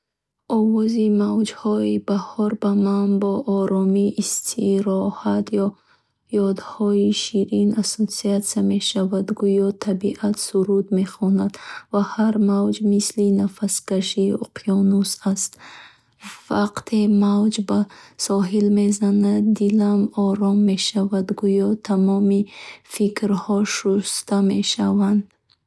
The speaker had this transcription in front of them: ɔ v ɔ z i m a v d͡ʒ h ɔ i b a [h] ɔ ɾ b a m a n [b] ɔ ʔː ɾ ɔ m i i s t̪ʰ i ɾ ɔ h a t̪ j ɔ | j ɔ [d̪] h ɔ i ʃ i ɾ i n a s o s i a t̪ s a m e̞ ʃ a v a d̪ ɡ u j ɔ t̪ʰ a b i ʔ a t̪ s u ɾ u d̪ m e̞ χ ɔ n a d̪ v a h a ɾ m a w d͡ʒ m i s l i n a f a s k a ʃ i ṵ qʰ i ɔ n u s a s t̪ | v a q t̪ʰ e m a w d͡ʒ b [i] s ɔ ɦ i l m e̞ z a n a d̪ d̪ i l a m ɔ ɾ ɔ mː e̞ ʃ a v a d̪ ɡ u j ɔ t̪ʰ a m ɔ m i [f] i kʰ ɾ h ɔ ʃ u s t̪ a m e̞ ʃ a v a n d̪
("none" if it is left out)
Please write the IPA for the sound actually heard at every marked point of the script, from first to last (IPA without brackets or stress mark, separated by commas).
h, b, d̪, a, f